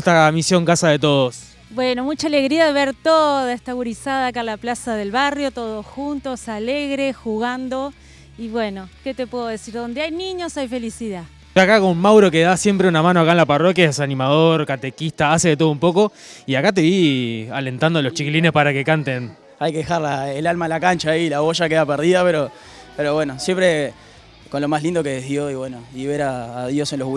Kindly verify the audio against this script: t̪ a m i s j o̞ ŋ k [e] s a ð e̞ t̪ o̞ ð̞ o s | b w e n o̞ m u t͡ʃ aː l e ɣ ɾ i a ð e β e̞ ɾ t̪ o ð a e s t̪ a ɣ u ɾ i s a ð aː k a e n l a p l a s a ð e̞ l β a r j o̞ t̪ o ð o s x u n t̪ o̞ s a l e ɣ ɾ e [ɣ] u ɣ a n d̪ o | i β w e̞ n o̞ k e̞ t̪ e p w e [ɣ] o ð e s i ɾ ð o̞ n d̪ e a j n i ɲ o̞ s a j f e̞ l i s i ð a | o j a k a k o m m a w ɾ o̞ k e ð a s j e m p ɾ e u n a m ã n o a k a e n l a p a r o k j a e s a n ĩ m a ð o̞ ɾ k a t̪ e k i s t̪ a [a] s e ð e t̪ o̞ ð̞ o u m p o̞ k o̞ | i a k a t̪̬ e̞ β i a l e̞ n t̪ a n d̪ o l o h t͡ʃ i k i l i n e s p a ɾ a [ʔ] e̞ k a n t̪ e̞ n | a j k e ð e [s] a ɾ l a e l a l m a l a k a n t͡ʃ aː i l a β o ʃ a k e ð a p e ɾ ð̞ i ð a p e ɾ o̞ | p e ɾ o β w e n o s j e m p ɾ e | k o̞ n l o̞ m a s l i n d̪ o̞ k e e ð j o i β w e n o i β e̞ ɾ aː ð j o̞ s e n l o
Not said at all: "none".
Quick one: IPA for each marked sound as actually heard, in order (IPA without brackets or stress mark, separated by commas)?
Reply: a, x, ð, a, k, x